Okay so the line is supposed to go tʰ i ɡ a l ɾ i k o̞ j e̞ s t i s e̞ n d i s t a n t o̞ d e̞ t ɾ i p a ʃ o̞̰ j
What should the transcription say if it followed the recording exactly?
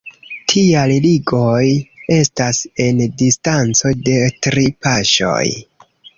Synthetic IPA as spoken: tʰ i a l l i ɡ o̞ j e̞ s t a s e̞ n d i s t a n t͡s o̞ d e̞ t ɾ i p a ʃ o̞̰ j